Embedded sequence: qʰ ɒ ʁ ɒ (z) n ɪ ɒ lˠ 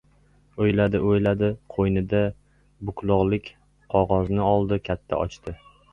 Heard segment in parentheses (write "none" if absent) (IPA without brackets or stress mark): z